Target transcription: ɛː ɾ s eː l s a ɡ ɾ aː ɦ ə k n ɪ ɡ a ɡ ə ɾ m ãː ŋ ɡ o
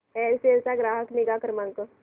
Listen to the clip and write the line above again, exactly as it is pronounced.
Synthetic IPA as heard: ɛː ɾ s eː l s a ɡ ɾ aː ɦ ə k n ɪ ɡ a k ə ɾ m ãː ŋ k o